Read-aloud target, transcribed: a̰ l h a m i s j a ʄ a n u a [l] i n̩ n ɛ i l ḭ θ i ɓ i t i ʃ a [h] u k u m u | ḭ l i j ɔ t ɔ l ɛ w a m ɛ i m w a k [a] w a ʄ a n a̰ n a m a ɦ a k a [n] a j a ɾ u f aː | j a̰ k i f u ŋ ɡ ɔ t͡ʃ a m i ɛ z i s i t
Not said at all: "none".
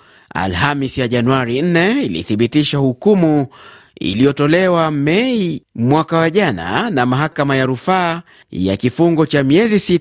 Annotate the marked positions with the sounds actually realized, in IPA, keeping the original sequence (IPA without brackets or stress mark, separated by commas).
ɾ, h, a, m